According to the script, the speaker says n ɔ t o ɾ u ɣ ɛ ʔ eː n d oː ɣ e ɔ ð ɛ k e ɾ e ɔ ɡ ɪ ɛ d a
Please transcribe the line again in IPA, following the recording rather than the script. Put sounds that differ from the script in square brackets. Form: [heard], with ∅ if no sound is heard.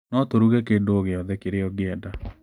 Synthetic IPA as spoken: n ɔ t o ɾ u ɣ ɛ [k] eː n d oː ɣ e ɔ ð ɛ k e ɾ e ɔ ɡ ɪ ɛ d a